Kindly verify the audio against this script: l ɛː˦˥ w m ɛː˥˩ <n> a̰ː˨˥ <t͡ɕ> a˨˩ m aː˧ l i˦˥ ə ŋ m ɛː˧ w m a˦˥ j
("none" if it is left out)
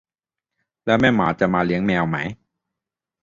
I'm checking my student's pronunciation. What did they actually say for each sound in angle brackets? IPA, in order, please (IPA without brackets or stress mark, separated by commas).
m, t͡ɕ